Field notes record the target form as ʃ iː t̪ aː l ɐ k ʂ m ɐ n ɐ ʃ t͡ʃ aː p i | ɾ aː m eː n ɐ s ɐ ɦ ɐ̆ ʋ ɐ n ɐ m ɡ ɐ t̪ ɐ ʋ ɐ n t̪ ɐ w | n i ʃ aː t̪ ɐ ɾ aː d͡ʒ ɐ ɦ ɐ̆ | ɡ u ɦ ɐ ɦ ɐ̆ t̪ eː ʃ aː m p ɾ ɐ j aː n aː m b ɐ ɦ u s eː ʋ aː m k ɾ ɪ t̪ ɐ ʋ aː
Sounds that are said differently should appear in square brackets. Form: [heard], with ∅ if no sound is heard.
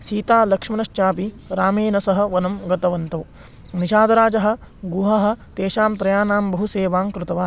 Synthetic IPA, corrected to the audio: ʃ iː t̪ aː l ɐ k ʂ m ɐ n ɐ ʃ t͡ʃ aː p i | ɾ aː m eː n ɐ s ɐ ɦ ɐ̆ ʋ ɐ n ɐ m ɡ ɐ t̪ ɐ ʋ ɐ n t̪ ɐ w | n i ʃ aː [d̪] ɐ ɾ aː d͡ʒ ɐ ɦ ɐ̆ | ɡ u ɦ ɐ ɦ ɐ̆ t̪ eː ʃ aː m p ɾ ɐ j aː n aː m b ɐ ɦ u s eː ʋ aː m k ɾ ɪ t̪ ɐ ʋ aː